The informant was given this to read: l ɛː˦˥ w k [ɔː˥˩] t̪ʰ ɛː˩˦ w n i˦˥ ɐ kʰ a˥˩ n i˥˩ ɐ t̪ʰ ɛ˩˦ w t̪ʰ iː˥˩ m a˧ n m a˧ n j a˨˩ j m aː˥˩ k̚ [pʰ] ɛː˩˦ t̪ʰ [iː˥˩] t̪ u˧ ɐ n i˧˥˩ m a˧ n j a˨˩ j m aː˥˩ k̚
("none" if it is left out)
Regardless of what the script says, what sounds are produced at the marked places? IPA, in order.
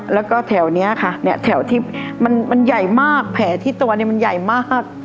ɔː˥˩, pʰ, iː˥˩

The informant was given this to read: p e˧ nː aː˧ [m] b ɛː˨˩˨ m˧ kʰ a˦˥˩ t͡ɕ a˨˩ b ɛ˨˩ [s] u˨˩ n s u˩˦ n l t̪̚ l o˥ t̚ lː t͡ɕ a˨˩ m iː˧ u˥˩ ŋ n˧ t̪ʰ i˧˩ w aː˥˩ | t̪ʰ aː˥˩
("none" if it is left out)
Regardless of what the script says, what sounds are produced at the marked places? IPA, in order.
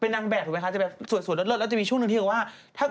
ŋ, s

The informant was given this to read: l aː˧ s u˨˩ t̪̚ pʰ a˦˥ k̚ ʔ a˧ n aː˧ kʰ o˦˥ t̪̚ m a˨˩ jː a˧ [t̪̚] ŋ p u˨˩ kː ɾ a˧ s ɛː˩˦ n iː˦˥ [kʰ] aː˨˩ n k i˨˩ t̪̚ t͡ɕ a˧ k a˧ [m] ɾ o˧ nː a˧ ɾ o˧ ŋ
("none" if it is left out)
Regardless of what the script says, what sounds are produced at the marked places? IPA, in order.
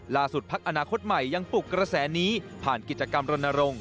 none, pʰ, m

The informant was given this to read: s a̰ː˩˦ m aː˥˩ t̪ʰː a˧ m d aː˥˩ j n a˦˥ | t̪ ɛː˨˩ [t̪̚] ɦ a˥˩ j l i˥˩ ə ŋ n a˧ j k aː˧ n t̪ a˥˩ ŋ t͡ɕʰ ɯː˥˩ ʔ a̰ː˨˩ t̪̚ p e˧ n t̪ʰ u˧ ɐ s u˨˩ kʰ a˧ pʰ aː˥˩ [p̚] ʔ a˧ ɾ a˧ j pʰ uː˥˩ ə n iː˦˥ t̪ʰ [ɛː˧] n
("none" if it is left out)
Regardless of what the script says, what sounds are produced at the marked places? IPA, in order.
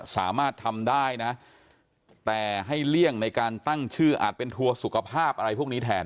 none, p̚, ɛː˧

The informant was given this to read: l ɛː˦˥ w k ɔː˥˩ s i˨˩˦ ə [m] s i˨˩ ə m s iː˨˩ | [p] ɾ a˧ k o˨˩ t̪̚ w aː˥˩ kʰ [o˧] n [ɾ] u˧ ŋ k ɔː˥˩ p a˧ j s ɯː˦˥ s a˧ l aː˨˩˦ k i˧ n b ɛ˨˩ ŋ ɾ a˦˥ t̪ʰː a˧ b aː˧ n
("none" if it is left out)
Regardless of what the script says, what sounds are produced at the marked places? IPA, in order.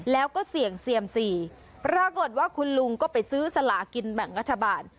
ŋ, p, u˧, l

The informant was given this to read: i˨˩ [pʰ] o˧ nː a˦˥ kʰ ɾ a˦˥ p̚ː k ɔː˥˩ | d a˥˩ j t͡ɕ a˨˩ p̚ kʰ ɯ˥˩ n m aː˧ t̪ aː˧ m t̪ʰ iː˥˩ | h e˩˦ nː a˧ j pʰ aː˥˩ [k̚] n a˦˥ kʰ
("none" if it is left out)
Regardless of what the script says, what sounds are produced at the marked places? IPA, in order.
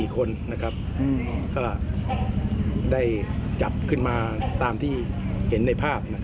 kʰ, p̚

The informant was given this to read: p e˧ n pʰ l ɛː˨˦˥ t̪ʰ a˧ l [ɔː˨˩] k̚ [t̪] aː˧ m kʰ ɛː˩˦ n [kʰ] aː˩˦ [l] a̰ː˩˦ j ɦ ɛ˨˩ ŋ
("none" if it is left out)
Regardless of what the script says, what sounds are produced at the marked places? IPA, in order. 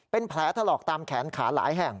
ɔː˨˩, t̪, kʰ, l

